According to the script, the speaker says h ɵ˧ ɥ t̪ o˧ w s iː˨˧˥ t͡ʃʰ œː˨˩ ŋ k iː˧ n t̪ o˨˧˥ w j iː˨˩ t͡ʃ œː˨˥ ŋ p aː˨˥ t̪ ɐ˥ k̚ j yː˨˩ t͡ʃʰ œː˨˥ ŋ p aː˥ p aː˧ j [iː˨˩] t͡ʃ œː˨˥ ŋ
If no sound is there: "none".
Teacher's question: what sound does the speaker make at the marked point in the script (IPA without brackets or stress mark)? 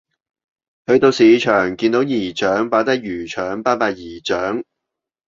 iː˨˩